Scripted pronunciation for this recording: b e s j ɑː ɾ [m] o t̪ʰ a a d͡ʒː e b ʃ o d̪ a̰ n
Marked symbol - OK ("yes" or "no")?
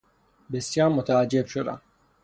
yes